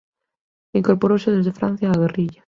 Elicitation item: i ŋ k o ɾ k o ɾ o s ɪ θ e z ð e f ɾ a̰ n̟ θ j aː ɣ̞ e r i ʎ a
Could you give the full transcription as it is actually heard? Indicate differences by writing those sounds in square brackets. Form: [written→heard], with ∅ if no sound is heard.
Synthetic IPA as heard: i ŋ k o ɾ [k→p] o ɾ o s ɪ [θ→ð] e z ð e f ɾ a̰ n̟ θ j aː ɣ̞ e r i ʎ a